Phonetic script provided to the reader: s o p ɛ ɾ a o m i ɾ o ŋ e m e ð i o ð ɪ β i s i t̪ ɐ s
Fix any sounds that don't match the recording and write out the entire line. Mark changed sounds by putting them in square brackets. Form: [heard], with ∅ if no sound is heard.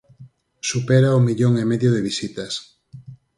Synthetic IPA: s [u] p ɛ ɾ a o m i [ʎ] o ŋ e m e ð [j] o ð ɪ β i s i t̪ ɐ s